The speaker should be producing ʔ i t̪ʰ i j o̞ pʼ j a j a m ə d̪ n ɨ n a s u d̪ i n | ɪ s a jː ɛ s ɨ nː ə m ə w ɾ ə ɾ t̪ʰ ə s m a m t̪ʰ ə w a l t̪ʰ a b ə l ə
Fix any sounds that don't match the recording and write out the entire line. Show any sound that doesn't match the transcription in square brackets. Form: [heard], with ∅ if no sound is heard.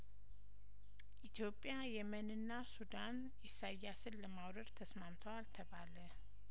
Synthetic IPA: ʔ i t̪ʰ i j o̞ pʼ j a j [ɛ] m ə [∅] n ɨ [nː] a s u d̪ [a] n | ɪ s a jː [a] s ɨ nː ə m [a] w ɾ ə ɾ t̪ʰ ə s m a m t̪ʰ ə w a l t̪ʰ [ə] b [a] l ə

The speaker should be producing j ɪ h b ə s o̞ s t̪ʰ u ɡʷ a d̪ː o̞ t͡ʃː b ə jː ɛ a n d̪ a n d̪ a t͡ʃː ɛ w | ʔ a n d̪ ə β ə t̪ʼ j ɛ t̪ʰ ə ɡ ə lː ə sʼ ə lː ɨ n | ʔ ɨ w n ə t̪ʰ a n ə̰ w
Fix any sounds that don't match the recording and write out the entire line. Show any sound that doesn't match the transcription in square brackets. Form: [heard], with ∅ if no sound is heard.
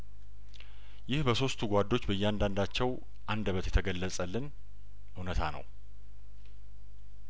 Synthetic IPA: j ɪ h b ə s o̞ s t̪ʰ u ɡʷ a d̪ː o̞ t͡ʃː b ə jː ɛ a n d̪ a n d̪ a t͡ʃː ɛ w | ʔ a n d̪ ə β ə [t̪] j ɛ t̪ʰ ə ɡ ə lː ə sʼ ə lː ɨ n | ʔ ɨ w n ə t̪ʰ a n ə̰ w

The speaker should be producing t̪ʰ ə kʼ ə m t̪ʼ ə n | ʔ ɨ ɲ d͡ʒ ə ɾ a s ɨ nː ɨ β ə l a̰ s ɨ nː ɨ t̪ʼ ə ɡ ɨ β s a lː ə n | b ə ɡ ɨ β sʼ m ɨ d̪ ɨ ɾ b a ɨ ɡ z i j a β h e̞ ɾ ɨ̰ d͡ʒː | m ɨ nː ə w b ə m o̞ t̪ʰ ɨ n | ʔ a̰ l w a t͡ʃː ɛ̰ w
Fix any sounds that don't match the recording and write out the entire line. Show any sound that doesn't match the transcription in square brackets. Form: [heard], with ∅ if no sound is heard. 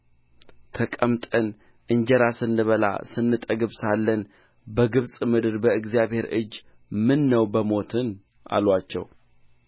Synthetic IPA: t̪ʰ ə kʼ ə m t̪ʼ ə n | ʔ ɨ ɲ d͡ʒ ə ɾ a s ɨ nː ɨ β ə l a̰ s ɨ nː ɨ t̪ʼ ə ɡ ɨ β s a lː ə n | b ə ɡ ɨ β sʼ m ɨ d̪ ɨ ɾ b [ə] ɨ ɡ z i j a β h e̞ ɾ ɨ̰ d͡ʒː | m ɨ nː ə w b ə m o̞ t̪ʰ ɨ n | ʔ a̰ l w a t͡ʃː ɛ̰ w

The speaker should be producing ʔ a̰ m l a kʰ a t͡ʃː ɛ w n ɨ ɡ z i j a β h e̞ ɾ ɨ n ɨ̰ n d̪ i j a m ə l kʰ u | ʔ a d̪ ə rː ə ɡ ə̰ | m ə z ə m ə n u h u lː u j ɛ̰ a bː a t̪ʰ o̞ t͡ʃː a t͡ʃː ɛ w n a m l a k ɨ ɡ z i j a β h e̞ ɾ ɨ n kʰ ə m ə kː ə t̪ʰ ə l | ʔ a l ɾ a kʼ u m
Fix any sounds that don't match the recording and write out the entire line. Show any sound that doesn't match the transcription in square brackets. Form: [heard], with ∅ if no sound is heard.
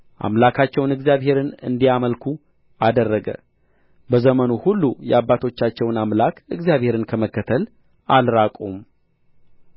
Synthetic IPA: ʔ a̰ m l a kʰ a t͡ʃː ɛ w n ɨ ɡ z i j a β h e̞ ɾ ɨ n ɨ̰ n d̪ i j a m ə l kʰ u | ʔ a d̪ ə rː ə ɡ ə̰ | [b] ə z ə m ə n u h u lː u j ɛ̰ a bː a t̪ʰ o̞ t͡ʃː a t͡ʃː ɛ w n a m l a k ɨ ɡ z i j a β h e̞ ɾ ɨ n kʰ ə m ə kː ə t̪ʰ ə l | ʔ a l ɾ a kʼ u m

